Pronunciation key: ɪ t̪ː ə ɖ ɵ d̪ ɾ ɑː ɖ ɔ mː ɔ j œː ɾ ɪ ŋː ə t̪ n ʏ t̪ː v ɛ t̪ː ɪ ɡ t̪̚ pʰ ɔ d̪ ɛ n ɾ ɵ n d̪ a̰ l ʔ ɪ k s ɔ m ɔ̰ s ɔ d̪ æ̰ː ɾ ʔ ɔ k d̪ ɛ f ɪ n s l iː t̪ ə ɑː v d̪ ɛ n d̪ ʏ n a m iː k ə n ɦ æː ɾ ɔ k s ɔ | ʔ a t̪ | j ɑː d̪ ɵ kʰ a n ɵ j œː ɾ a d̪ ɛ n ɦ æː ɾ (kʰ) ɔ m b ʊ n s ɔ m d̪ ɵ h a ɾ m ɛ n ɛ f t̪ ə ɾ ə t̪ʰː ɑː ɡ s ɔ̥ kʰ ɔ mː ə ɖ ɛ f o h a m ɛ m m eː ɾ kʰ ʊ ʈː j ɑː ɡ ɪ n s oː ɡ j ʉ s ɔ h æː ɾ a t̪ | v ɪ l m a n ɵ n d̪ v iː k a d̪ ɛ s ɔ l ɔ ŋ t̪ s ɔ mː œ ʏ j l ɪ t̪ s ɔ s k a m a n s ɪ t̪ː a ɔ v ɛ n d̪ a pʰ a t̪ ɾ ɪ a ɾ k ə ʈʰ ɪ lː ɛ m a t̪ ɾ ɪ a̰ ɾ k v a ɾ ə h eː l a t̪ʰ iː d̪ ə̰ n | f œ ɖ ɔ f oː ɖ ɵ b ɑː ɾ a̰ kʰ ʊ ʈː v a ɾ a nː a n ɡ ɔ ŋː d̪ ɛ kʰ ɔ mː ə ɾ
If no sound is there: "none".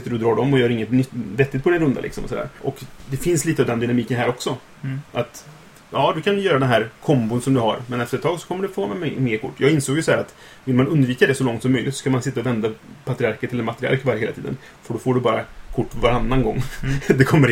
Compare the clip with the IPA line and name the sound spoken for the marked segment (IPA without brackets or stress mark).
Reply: kʰ